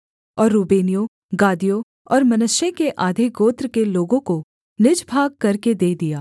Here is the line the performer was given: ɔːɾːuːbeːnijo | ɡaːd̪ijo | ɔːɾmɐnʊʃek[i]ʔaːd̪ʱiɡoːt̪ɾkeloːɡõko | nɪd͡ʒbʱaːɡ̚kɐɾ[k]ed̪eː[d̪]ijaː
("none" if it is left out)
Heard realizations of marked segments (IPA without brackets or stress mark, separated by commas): e, k, d̪